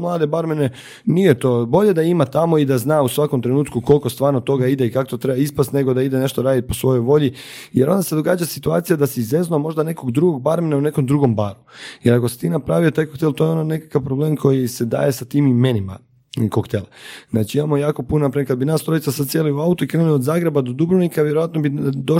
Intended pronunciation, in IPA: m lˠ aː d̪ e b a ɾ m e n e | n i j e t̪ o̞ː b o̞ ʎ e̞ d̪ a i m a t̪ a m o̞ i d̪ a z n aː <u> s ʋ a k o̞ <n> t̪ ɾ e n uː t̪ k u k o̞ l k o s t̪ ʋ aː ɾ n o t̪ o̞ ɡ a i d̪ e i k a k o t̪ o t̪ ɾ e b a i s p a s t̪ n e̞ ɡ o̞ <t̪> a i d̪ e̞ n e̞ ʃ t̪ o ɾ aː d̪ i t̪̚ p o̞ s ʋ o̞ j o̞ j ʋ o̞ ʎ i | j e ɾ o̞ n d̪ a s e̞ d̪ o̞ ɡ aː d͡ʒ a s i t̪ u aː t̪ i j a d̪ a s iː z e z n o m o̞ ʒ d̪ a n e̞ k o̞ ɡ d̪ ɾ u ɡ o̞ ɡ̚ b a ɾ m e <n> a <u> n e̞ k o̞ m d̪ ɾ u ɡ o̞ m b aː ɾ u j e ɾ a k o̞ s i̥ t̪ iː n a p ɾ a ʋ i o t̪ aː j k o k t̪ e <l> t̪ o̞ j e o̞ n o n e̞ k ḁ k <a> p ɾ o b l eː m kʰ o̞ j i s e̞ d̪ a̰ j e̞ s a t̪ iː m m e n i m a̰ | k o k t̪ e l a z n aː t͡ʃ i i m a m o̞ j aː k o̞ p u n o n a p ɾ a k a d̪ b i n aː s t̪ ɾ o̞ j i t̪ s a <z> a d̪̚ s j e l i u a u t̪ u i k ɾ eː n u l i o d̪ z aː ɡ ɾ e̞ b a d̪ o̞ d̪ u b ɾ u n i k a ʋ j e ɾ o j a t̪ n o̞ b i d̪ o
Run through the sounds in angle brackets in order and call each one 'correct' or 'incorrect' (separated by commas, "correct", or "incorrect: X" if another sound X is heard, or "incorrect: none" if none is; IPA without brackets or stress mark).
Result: correct, incorrect: m, incorrect: d̪, correct, correct, correct, correct, incorrect: s